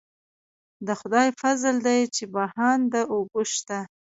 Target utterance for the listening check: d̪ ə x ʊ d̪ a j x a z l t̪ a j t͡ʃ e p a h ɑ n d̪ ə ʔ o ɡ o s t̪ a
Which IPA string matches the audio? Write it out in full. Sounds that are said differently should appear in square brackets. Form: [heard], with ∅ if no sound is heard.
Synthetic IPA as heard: d̪ ə x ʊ d̪ [ɑ] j [f] a z l [d̪] a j t͡ʃ e [b] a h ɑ n d̪ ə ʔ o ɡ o [ʃ] t̪ a